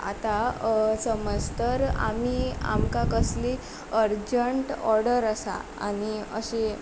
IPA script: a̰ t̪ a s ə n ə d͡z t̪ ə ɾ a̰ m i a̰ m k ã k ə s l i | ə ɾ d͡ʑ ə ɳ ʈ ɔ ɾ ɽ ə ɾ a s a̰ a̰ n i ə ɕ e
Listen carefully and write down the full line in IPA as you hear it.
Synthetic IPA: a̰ t̪ a s ə m ə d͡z t̪ ə ɾ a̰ m i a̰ m k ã k ə s l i | ə ɾ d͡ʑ ə ɳ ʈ ɔ ɾ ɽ ə ɾ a s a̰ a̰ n i ə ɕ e